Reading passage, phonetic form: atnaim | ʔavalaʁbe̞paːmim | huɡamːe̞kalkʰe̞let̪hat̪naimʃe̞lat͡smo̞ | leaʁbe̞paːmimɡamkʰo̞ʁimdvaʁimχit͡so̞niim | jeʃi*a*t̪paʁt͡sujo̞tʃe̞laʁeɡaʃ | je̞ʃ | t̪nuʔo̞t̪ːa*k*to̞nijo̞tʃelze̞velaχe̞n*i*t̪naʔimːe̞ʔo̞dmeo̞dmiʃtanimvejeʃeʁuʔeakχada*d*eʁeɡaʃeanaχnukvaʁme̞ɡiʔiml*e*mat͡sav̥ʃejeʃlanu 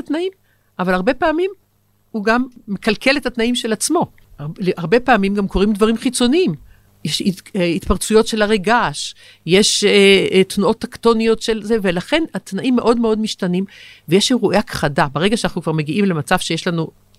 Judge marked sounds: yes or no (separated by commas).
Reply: no, yes, no, no, yes